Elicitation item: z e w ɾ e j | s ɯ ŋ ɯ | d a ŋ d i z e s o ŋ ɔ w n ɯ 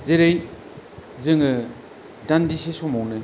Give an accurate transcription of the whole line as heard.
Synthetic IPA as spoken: z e ɾ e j | z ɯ ŋ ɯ | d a n d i s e s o m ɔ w n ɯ